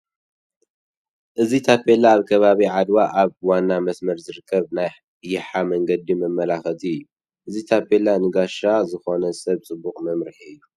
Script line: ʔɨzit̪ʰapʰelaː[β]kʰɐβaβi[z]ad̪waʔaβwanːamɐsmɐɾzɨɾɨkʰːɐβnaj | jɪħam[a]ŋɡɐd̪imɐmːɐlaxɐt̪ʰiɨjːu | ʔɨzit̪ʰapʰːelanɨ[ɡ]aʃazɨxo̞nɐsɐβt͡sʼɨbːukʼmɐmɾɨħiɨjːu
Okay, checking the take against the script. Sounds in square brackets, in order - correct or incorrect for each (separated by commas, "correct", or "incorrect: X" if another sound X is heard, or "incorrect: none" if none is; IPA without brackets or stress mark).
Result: correct, incorrect: ʕ, incorrect: ɐ, correct